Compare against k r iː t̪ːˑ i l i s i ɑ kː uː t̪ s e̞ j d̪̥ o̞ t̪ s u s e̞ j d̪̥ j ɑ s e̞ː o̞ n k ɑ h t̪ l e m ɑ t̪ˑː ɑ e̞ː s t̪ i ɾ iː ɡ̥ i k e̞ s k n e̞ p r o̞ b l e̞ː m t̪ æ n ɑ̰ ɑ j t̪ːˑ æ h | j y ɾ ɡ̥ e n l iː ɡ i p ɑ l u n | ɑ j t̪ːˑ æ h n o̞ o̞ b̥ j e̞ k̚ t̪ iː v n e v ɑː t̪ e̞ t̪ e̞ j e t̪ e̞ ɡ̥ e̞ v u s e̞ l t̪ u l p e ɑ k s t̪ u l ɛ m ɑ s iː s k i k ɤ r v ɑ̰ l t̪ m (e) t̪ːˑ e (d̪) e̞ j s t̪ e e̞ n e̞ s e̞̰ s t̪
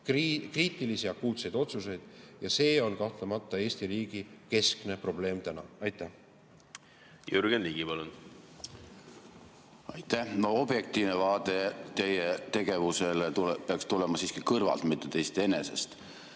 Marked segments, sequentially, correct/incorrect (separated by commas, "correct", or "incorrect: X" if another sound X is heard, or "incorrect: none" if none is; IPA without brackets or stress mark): incorrect: i, incorrect: t̪